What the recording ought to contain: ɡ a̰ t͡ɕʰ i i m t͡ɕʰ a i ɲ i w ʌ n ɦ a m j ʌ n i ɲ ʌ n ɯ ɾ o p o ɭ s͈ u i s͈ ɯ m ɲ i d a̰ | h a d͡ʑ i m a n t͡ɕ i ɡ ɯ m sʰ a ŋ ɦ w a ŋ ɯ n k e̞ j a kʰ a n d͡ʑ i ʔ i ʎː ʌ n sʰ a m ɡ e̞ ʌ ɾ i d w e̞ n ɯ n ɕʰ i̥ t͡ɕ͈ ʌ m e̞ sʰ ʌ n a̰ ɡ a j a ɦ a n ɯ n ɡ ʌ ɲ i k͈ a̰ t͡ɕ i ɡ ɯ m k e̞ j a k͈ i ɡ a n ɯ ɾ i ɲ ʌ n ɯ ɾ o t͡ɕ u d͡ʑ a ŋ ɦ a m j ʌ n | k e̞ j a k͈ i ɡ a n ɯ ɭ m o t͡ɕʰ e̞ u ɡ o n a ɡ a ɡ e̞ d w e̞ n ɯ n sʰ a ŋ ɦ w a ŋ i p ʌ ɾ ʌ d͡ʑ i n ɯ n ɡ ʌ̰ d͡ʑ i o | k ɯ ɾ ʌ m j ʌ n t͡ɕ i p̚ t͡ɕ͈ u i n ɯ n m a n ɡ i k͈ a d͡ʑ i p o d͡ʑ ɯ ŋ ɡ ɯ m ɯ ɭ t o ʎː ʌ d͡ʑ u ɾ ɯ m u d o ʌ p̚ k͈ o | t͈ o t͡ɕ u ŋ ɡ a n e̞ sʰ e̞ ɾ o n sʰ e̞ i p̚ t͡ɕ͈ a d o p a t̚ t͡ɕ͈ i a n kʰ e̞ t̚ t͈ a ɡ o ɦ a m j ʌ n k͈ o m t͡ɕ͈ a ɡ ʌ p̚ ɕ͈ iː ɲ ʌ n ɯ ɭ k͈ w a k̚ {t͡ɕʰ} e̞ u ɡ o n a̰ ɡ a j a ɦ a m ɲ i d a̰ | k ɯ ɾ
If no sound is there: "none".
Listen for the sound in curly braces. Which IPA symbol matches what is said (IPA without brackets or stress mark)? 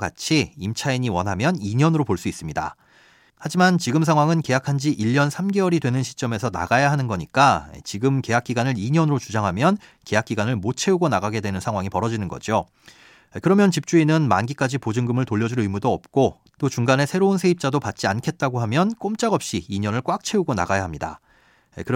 t͡ɕʰ